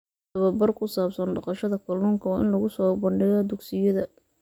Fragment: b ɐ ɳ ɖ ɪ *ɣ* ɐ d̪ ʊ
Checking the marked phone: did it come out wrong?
no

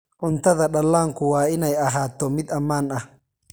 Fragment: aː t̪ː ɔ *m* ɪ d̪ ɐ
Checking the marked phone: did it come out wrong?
no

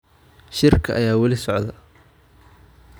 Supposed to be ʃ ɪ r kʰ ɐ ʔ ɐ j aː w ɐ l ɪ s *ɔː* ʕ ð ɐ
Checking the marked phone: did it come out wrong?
yes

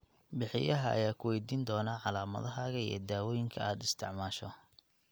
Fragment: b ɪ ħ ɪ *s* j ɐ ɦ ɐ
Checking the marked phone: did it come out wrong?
yes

